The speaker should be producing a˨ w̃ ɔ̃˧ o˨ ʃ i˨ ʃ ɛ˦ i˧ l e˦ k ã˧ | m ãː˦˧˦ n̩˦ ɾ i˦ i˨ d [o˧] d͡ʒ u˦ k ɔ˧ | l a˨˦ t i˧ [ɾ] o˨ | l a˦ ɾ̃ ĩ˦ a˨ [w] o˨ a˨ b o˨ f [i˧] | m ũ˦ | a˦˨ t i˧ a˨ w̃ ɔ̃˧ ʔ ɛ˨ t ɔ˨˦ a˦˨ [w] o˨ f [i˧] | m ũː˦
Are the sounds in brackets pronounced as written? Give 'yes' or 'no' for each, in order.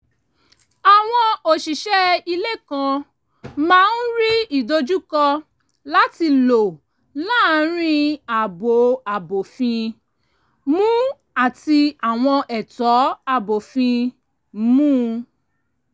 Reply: yes, no, no, no, no, no

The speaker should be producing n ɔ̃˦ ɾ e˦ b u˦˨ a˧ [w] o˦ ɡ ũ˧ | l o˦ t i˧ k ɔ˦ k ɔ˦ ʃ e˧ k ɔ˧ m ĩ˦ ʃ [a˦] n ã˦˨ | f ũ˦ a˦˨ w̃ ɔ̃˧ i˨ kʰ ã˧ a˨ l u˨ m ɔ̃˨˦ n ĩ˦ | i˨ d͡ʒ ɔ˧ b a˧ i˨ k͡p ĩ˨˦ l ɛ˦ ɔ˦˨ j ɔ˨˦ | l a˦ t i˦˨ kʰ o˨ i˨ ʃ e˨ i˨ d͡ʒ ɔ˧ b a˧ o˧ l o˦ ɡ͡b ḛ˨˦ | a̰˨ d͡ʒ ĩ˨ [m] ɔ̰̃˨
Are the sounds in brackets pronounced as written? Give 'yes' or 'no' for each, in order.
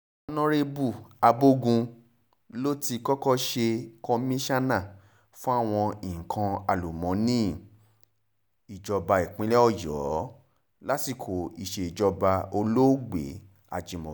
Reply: no, yes, yes

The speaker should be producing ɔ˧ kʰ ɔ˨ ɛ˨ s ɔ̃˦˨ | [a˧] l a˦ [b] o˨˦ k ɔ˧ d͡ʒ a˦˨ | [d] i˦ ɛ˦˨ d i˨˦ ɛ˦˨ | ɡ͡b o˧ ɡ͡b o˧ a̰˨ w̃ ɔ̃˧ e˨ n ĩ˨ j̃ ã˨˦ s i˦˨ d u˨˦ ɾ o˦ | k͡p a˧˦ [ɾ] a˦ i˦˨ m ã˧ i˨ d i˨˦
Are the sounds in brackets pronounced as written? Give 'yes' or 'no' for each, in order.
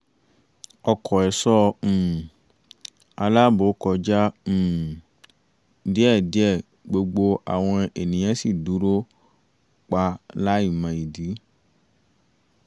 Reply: yes, yes, yes, no

